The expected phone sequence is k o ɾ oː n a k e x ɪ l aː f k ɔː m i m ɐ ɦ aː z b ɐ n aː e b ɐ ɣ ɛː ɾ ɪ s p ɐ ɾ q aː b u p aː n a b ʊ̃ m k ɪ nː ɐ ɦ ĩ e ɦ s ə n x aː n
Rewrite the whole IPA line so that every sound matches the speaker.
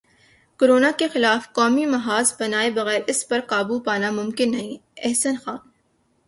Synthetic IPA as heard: k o ɾ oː n a k e x ɪ l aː f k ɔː m i m ɐ ɦ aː z b ɐ n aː e b ɐ ɣ ɛː ɾ ɪ s p ɐ ɾ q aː b u p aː n a m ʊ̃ m k ɪ nː ɐ ɦ ĩ ɛ ɦ s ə n x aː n